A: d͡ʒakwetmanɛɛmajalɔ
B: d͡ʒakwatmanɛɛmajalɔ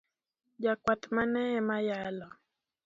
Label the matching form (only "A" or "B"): B